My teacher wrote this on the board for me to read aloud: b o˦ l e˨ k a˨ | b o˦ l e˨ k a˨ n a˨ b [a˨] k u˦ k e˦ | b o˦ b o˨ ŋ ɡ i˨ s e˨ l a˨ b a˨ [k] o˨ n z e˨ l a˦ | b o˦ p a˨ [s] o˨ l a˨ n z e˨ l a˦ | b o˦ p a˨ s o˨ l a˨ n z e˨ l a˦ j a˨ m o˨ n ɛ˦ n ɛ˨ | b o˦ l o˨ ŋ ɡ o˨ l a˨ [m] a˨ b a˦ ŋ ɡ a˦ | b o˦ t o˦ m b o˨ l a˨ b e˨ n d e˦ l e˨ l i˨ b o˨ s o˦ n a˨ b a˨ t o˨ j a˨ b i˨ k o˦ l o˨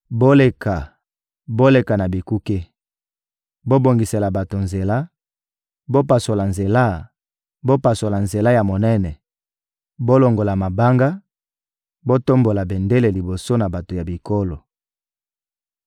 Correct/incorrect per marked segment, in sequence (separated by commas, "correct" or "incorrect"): incorrect, incorrect, correct, correct